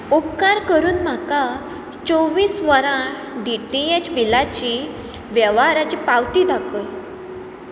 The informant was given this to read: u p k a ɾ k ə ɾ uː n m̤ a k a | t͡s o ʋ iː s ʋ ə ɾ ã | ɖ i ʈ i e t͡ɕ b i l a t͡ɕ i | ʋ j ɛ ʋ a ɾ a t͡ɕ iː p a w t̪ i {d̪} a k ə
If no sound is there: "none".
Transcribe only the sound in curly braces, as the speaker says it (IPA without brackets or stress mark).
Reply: d̪